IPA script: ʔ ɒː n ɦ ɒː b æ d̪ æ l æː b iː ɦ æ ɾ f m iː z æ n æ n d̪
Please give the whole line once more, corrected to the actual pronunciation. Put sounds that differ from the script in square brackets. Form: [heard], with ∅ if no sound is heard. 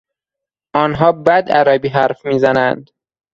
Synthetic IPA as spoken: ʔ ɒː n ɦ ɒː b æ d̪ æ [ɾ] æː b iː ɦ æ ɾ f m iː z æ n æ n d̪